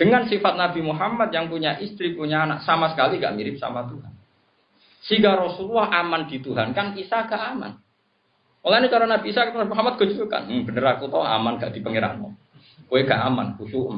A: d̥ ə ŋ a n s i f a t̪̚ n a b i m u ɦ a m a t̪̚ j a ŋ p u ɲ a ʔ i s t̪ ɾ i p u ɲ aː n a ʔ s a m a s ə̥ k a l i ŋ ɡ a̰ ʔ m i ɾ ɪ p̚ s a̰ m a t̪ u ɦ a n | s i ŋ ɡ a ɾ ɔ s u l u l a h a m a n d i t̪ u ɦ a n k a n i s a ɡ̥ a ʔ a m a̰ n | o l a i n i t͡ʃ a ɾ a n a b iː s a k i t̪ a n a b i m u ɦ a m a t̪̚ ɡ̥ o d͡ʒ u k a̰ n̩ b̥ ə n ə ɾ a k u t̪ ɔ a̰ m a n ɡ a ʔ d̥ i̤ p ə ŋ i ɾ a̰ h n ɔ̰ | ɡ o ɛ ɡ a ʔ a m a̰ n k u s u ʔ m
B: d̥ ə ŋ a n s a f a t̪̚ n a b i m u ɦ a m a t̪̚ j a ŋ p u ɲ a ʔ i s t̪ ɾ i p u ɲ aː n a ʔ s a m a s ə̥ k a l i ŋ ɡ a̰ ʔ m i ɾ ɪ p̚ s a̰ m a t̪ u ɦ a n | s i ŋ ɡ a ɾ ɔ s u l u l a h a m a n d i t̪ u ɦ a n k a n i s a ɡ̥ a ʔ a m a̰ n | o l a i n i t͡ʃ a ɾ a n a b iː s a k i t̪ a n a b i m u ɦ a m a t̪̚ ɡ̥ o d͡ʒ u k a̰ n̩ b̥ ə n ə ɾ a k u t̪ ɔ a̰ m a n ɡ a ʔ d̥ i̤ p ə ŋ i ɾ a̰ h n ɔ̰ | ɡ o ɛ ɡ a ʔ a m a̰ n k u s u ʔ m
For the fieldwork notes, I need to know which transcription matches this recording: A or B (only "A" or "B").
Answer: A